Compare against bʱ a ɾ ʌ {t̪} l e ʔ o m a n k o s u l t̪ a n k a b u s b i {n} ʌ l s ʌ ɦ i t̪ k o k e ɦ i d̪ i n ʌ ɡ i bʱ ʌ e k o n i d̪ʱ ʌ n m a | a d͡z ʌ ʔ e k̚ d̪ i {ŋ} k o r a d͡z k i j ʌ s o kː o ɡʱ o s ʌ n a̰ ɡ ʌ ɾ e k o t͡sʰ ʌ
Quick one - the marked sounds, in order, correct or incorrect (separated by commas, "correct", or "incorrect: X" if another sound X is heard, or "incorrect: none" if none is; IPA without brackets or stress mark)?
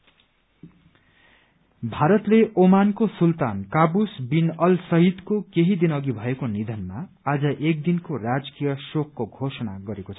correct, correct, incorrect: n